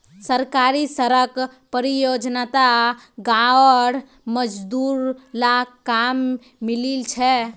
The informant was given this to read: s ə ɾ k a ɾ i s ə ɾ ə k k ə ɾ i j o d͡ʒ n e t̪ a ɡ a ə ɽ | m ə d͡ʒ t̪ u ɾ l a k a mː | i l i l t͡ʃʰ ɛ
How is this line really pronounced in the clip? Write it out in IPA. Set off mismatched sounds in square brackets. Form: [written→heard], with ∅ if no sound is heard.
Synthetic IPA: s ə ɾ k a ɾ i s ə ɾ ə k [k→p] ə ɾ i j o d͡ʒ n [e→a] t̪ a ɡ a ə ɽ | m ə d͡ʒ [t̪→d̪] u ɾ l a k a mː | i l i l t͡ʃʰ ɛ